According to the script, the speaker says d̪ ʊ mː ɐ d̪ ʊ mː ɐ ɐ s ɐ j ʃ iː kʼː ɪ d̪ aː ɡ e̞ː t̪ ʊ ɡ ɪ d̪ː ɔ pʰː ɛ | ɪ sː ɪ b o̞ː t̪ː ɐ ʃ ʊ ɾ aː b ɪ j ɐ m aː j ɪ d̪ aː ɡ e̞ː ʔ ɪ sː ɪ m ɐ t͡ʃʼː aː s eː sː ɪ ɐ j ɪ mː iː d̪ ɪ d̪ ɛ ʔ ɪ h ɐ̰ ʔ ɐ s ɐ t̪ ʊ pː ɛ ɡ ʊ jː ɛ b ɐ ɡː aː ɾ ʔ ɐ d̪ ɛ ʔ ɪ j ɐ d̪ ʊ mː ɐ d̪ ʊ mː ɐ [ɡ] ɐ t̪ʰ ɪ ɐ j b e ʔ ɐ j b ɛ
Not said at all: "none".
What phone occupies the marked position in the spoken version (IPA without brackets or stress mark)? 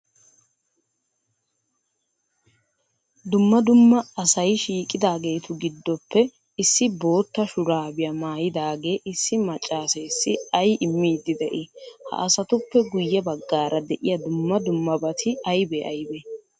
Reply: b